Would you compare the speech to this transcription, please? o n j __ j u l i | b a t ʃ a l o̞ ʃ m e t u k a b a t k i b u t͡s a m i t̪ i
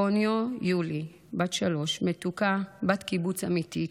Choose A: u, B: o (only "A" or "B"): B